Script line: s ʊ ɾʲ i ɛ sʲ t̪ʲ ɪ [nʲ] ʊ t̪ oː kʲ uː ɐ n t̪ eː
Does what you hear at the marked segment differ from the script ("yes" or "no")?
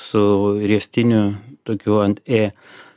no